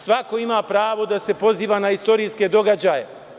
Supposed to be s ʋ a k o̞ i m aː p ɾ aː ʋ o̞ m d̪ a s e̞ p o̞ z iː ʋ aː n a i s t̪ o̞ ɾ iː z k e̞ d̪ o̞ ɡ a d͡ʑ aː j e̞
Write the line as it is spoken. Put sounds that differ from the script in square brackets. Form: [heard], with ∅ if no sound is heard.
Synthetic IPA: s ʋ a k o̞ i m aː p ɾ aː ʋ o̞ [∅] d̪ a s e̞ p o̞ z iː ʋ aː n a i s t̪ o̞ ɾ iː [s] k e̞ d̪ o̞ ɡ a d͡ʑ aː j e̞